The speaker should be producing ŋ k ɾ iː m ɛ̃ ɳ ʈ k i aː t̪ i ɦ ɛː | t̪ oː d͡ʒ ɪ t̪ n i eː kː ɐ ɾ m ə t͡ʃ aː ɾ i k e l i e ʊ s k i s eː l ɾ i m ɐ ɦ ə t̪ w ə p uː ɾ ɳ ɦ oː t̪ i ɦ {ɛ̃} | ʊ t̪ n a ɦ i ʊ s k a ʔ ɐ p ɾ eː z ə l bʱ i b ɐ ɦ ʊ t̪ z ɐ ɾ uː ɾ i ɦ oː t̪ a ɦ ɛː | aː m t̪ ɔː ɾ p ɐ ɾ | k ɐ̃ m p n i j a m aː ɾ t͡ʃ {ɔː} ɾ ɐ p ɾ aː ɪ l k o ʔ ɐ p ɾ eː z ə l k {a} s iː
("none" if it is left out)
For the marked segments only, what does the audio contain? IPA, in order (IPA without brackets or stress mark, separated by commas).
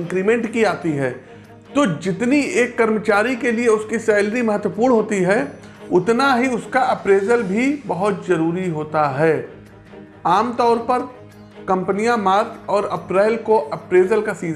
ɛ, ɔː, a